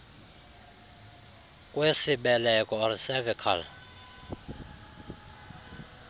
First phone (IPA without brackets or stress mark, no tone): kʼ